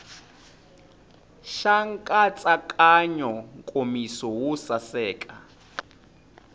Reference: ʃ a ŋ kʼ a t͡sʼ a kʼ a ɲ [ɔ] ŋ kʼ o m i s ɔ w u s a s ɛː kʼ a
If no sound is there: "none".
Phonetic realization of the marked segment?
ɔ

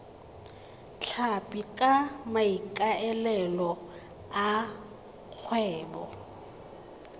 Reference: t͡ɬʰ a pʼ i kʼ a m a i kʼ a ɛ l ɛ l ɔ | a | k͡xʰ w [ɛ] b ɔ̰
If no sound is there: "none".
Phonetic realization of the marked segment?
ɛː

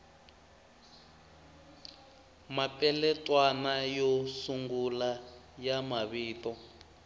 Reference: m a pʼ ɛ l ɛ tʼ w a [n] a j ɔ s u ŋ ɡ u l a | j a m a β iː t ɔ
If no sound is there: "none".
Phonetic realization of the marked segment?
n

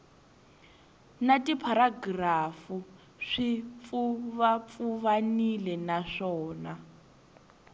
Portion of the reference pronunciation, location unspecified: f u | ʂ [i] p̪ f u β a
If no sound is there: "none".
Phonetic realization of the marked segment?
i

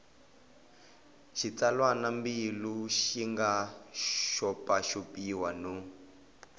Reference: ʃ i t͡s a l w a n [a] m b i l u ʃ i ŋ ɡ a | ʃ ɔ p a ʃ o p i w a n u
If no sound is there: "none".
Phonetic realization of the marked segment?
a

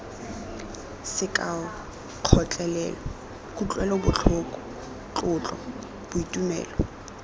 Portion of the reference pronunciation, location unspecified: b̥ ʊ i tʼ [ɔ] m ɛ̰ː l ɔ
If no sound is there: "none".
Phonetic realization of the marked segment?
u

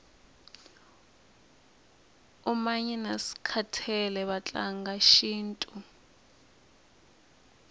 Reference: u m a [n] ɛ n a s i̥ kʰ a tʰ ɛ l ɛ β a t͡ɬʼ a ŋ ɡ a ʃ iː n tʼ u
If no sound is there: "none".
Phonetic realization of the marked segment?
ɲ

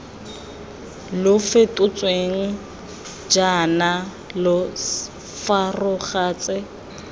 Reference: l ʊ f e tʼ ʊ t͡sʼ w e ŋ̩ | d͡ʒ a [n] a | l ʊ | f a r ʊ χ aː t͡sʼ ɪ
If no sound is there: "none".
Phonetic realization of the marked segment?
n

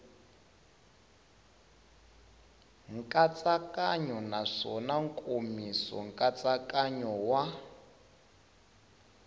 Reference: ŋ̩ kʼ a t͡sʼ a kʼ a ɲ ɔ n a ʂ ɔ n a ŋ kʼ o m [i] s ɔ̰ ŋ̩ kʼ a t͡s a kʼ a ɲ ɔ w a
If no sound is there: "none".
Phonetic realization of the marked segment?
i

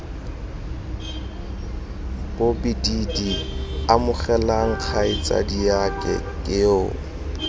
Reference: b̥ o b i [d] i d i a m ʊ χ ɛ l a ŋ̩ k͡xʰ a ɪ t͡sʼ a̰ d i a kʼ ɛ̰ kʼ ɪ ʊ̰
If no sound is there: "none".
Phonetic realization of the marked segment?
d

